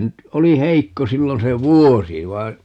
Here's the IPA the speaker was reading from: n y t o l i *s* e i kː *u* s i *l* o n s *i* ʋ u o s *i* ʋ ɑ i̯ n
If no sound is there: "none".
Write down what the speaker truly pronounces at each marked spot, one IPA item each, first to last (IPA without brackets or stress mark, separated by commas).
h, o, lː, e, i